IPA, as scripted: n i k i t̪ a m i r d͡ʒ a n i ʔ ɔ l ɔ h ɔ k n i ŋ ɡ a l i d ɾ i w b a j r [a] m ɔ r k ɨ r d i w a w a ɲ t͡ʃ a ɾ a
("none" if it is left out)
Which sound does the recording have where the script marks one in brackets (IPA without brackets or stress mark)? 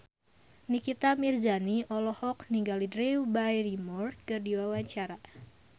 i